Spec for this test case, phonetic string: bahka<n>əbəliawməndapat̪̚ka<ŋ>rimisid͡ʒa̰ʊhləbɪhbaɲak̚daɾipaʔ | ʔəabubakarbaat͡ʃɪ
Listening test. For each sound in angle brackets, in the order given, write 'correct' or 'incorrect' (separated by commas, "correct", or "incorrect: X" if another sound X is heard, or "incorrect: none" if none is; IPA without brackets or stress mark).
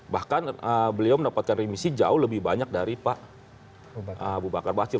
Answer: correct, incorrect: n